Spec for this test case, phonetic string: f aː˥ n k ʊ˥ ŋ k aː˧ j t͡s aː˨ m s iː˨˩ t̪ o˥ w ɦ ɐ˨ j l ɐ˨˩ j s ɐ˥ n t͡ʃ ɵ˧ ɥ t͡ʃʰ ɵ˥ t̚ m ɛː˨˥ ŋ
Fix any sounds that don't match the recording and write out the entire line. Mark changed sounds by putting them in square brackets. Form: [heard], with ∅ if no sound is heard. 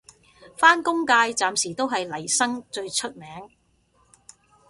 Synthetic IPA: f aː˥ n k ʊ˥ ŋ k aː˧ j t͡s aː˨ m s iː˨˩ t̪ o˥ w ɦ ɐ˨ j l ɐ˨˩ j s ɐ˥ [ŋ] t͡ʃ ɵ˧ ɥ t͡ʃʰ ɵ˥ t̚ m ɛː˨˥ ŋ